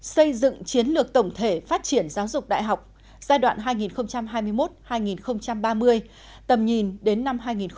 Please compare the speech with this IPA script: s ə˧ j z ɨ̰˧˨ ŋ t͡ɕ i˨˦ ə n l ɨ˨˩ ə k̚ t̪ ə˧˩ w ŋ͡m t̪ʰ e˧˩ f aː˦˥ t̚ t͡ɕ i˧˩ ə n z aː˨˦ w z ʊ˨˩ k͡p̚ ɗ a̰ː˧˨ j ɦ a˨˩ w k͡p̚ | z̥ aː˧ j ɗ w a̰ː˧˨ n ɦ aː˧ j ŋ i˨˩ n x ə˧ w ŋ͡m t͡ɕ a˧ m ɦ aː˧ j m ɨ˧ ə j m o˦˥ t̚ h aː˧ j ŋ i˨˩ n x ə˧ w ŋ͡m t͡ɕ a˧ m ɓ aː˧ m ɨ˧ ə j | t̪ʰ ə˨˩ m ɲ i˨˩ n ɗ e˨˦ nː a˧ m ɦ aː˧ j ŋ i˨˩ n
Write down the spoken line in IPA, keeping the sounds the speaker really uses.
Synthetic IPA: s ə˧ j z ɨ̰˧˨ ŋ t͡ɕ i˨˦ ə n l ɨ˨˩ ə k̚ t̪ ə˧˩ w ŋ͡m t̪ʰ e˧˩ f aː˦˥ t̚ t͡ɕ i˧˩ ə n z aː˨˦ w z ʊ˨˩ k͡p̚ ɗ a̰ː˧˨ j ɦ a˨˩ w k͡p̚ | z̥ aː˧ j ɗ w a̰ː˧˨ n ɦ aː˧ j ŋ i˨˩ n x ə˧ w ŋ͡m t͡ɕ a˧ m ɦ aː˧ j m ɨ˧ ə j m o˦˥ t̚ h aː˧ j ŋ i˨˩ n x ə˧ w ŋ͡m t͡ɕ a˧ m ɓ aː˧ m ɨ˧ ə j | t̪ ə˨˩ m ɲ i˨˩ n ɗ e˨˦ nː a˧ m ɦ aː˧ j ŋ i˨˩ n

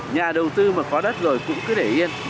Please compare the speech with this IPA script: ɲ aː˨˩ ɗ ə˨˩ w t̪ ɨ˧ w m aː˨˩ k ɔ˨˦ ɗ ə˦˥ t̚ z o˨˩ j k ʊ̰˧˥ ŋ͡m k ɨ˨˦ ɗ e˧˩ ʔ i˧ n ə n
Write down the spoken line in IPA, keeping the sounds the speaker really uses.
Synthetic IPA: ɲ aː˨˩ ɗ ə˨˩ w t̪ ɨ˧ m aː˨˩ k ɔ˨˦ ɗ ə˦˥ t̚ z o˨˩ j k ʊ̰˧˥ ŋ͡m k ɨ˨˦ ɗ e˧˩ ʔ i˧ ə n

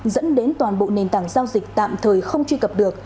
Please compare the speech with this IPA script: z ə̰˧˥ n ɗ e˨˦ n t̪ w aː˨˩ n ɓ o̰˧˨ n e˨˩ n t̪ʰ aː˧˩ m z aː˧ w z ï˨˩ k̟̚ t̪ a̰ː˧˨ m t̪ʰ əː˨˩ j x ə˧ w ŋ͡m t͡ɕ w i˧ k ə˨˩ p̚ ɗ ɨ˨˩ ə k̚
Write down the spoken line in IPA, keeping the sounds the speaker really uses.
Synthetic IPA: z ə̰˧˥ n ɗ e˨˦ n t̪ w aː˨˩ n ɓ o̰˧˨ n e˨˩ n t̪ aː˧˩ ŋ z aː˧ w z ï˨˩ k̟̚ t̪ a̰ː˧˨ m t̪ʰ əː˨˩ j x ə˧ w ŋ͡m t͡ɕ w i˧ k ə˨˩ p̚ ɗ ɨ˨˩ ə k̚

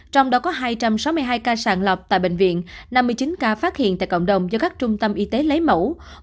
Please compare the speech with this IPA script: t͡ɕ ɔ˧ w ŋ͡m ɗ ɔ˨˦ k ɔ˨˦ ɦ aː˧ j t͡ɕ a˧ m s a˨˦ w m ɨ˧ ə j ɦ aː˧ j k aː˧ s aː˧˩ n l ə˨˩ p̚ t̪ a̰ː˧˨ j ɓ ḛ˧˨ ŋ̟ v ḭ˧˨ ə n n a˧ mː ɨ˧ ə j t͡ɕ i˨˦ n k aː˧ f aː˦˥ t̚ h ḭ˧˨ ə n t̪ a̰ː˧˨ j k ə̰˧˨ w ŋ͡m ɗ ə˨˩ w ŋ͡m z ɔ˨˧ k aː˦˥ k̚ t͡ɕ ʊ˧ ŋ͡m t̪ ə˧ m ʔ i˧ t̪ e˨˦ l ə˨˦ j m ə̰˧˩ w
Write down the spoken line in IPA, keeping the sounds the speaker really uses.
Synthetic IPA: t͡ɕ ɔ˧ w ŋ͡m ɗ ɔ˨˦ k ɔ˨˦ ɦ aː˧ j t͡ɕ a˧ m s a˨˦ w m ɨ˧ ə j ɦ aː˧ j k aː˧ s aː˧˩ n l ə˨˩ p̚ t̪ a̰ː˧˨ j ɓ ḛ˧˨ ŋ̟ v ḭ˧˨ ə n n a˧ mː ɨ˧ ə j t͡ɕ i˨˦ n k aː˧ f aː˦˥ t̚ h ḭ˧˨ ə n t̪ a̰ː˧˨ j k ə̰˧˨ w ŋ͡m ɗ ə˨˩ w ŋ͡m z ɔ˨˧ k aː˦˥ k̚ t͡ɕ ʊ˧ ŋ͡m t̪ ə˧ m ʔ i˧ t̪ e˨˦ l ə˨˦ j m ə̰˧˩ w

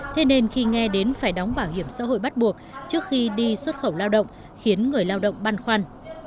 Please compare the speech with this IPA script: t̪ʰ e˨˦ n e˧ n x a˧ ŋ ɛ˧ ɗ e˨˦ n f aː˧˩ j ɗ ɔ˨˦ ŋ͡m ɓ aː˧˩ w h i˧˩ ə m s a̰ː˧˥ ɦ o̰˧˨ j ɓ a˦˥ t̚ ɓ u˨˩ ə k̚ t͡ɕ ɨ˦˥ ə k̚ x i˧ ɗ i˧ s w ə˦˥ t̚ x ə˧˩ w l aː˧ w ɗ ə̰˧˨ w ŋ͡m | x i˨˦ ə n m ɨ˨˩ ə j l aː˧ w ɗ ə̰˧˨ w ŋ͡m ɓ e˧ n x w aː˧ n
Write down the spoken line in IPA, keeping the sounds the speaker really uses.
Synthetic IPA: t̪ʰ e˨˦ n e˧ n x i˧ ŋ ɛ˧ ɗ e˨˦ n f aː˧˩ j ɗ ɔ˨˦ ŋ͡m ɓ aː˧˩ w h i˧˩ ə m s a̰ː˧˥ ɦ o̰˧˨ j ɓ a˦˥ t̚ ɓ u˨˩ ə k̚ t͡ɕ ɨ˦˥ ə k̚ x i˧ ɗ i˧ s w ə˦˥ t̚ x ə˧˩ w l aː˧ w ɗ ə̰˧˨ w ŋ͡m | x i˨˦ ə n ŋ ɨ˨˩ ə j l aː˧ w ɗ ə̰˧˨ w ŋ͡m ɓ a˧ n x w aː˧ n

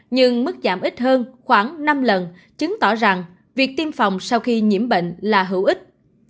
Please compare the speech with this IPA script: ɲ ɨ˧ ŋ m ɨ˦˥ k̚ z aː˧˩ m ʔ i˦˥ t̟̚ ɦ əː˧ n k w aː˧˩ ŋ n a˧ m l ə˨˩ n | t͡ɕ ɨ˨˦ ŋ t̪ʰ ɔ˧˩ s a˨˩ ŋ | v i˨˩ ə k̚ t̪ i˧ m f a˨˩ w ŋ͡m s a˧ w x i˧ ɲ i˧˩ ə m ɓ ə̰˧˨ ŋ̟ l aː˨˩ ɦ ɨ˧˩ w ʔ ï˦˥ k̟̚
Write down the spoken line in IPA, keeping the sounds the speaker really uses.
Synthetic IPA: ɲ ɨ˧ ŋ m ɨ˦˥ k̚ z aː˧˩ m ʔ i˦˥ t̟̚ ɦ əː˧ n x w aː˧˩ ŋ n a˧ m l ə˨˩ n | t͡ɕ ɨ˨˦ ŋ t̪ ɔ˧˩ z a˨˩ ŋ | v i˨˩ ə k̚ t̪ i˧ m f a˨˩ w ŋ͡m s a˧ w x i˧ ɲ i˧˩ ə m ɓ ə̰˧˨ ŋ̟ l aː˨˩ ɦ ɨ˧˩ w ʔ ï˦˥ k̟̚

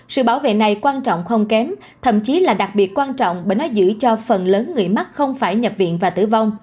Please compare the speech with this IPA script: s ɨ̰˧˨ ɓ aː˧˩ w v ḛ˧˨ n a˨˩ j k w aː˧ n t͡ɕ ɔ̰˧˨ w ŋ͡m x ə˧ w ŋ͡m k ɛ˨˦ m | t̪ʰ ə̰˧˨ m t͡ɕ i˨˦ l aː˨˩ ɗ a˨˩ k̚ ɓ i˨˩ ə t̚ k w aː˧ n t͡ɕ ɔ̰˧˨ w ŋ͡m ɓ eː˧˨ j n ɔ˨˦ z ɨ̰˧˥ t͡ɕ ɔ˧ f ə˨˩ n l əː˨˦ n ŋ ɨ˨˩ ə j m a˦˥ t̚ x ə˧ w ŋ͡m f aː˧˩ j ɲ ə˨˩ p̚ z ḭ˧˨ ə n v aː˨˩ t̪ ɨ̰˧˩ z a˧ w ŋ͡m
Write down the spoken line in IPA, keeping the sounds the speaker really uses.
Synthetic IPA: s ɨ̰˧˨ ɓ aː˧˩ w v ḛ˧˨ n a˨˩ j k w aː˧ n t͡ɕ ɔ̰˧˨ w ŋ͡m x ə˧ w ŋ͡m k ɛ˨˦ m | t̪ʰ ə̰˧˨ m t͡ɕ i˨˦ l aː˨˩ ɗ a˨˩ k̚ ɓ i˨˩ ə t̚ k w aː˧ n t͡ɕ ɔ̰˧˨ w ŋ͡m ɓ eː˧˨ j n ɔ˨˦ z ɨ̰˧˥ t͡ɕ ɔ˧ f ə˨˩ n l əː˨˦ n ŋ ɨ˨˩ ə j m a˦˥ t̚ x ə˧ w ŋ͡m f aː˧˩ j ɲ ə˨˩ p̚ v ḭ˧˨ ə n v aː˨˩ t̪ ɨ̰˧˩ v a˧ w ŋ͡m

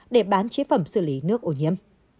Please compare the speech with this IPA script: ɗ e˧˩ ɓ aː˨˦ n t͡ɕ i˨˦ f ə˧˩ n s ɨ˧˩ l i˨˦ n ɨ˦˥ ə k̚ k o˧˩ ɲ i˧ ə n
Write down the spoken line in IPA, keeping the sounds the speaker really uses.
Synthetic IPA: ɗ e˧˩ ɓ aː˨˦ n t͡ɕ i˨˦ f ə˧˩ m s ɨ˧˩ l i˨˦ n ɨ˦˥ ə k̚ ʔ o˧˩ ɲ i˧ ə m

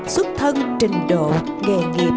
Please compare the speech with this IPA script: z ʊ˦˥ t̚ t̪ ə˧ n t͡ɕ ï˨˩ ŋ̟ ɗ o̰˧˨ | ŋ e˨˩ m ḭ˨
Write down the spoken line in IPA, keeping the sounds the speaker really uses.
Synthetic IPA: s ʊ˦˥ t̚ t̪ʰ ə˧ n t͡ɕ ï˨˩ ŋ̟ ɗ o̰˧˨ | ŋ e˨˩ ŋ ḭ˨

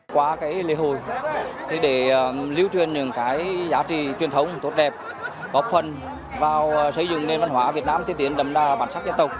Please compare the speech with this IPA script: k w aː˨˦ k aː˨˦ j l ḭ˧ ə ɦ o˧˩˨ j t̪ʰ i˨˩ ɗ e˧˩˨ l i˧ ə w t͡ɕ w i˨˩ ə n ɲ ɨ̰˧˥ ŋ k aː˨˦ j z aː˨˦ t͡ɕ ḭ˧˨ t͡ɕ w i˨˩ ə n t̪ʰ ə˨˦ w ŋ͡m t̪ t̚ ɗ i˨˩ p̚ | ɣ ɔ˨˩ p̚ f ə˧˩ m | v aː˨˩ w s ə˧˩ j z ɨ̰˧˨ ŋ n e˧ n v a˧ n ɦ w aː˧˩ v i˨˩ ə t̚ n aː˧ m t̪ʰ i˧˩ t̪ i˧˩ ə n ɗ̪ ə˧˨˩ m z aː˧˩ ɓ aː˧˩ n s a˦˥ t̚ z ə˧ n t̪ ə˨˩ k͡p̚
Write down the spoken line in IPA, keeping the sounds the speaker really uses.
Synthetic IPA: k w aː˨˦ k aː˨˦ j l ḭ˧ ə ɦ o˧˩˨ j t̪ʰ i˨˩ ɗ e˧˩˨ l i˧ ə w t͡ɕ w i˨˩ ə n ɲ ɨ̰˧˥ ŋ k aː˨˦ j z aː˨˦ t͡ɕ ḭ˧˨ t͡ɕ w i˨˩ ə n t̪ʰ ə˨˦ w ŋ͡m t̪ t̚ ɗ ɛ˨˩ p̚ | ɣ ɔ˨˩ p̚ f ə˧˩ n | v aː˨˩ w s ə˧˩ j z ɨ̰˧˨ ŋ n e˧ n v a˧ n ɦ w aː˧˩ v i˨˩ ə t̚ n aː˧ m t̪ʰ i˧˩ t̪ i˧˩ ə n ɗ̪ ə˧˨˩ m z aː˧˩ ɓ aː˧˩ n s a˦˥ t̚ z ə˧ n t̪ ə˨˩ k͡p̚

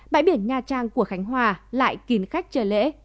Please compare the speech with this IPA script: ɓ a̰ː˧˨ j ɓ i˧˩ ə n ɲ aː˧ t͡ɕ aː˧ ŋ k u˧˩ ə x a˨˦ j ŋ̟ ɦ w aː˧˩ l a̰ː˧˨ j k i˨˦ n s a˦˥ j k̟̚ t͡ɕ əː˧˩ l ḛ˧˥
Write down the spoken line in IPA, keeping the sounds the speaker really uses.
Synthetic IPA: ɓ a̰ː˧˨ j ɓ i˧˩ ə n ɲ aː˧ t͡ɕ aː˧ ŋ k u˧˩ ə x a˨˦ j ŋ̟ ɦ w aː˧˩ l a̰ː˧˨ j k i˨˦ n x a˦˥ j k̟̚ t͡ɕ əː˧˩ l ḛ˧˥

